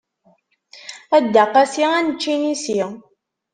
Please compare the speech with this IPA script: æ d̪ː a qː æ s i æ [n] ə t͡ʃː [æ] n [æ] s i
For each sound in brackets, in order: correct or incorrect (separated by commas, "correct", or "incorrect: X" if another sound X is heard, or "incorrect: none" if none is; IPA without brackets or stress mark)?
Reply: correct, incorrect: i, incorrect: i